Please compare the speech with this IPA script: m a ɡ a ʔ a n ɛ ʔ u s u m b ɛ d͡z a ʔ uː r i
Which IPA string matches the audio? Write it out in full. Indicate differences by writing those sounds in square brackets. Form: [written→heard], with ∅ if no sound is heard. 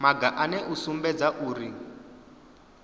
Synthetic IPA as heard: m a ɡ a ʔ a n ɛ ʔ u s u m b ɛ d͡z a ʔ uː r i